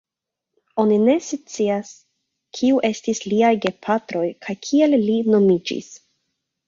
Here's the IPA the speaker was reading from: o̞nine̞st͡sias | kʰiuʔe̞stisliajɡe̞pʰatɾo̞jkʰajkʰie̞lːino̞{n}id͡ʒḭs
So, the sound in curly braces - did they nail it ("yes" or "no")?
no